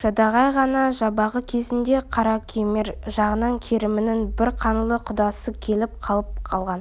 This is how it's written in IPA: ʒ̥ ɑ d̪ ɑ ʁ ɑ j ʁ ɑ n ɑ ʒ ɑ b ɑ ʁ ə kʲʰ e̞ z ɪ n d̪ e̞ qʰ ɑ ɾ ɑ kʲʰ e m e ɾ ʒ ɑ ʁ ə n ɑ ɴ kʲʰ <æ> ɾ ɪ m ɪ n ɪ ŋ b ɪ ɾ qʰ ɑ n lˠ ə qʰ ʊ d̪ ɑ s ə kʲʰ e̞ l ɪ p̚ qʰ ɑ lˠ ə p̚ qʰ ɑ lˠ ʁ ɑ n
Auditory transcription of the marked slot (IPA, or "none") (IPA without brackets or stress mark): e